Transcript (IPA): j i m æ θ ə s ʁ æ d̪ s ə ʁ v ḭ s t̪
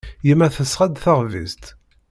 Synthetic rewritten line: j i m æ θ ə s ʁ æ d̪ θ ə ʁ v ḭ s t̪